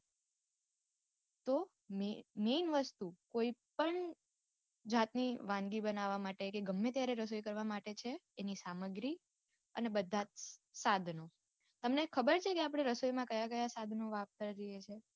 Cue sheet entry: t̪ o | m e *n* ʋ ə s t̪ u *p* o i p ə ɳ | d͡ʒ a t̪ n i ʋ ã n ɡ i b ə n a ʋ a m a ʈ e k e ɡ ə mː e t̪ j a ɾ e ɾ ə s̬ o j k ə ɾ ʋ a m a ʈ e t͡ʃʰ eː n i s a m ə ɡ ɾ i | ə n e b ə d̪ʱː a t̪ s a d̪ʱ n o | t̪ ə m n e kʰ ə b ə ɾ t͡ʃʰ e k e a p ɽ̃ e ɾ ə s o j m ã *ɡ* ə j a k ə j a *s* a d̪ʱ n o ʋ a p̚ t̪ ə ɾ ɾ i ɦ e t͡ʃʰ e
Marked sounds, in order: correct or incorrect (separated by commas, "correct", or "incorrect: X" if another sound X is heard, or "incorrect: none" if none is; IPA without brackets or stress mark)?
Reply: correct, incorrect: k, incorrect: k, correct